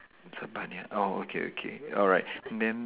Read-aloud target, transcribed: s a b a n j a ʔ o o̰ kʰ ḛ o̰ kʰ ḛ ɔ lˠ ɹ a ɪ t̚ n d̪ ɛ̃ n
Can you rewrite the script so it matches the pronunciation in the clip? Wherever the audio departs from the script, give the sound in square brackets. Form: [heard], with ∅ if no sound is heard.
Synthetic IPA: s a b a n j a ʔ o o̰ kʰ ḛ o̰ kʰ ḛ ɔ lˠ ɹ a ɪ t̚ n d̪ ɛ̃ n